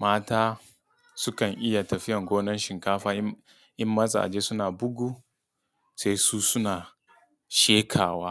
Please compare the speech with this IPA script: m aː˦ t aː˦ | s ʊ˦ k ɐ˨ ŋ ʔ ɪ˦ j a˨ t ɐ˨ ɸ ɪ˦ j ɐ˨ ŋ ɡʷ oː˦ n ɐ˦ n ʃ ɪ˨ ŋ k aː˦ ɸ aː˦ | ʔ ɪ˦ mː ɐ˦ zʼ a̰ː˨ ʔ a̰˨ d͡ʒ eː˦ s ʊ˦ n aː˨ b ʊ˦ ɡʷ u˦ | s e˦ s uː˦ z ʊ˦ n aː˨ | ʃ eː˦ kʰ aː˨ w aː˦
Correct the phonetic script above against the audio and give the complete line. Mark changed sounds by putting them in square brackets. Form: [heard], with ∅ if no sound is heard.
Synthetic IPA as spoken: m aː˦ t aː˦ | s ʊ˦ k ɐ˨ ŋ ʔ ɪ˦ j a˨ t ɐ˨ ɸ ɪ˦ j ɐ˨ ŋ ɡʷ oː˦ n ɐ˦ n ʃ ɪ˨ ŋ k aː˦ ɸ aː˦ | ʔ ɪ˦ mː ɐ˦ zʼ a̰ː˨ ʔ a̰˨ d͡ʒ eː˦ s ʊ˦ n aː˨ b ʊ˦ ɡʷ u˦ | s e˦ s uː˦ [s] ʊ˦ n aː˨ | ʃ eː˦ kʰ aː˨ w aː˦